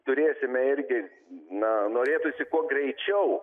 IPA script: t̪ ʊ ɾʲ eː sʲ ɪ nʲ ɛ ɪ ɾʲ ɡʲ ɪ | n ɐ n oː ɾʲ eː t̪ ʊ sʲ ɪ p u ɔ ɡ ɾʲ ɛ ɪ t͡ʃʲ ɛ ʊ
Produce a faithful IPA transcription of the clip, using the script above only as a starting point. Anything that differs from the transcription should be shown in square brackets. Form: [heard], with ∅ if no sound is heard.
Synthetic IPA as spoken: t̪ ʊ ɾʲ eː sʲ ɪ [mʲ] ɛ ɪ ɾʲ ɡʲ ɪ | n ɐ n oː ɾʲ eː t̪ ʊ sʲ ɪ [k] u ɔ ɡ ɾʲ ɛ ɪ t͡ʃʲ ɛ ʊ